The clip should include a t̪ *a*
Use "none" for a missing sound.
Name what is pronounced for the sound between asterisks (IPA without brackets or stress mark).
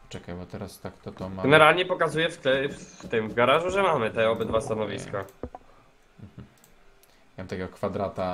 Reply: a